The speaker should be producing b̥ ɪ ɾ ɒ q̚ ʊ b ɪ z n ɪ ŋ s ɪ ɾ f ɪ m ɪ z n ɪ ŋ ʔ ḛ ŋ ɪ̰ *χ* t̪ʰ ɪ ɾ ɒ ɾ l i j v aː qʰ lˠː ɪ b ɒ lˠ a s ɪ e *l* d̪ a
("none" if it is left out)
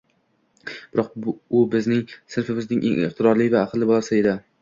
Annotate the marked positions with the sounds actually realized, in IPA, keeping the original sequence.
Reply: χ, none

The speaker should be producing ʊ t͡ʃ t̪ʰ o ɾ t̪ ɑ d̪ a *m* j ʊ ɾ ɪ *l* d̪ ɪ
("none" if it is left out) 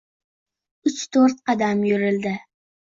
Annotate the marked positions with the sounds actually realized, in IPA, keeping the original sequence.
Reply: m, l

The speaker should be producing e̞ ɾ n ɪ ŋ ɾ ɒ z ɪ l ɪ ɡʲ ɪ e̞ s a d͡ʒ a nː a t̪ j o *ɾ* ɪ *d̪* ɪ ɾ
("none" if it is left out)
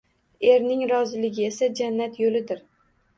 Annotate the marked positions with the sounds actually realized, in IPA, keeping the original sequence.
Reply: l, d̪

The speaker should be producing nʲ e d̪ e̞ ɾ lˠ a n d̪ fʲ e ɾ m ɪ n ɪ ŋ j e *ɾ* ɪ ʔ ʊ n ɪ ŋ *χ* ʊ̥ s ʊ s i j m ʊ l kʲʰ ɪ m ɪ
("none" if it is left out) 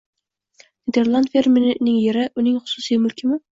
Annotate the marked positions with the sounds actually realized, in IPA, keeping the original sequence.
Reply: ɾ, χ

